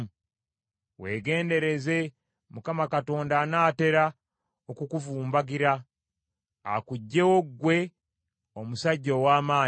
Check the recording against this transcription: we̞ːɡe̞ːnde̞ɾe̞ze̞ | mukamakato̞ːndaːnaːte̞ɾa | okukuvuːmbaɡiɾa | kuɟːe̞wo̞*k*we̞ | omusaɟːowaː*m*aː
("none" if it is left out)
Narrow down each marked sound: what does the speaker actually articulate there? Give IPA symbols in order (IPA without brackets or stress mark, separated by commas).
ɡ, m